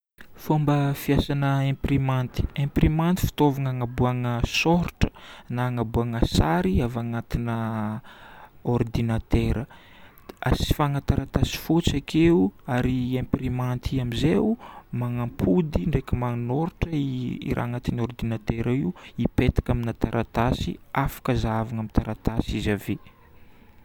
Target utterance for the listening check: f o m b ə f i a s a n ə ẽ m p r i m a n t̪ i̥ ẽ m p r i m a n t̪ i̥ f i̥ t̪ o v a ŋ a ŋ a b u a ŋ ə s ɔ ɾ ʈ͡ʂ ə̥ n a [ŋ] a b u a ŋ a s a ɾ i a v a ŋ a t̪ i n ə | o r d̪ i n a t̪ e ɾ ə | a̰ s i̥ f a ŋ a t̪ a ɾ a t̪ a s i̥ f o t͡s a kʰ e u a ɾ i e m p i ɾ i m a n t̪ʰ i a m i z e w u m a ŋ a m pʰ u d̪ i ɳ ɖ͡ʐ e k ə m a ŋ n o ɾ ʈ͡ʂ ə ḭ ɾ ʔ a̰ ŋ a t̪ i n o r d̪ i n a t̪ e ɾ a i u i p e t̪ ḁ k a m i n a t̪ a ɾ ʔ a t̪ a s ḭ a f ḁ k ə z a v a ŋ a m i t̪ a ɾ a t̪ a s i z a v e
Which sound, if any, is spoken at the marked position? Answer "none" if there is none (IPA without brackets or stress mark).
ŋ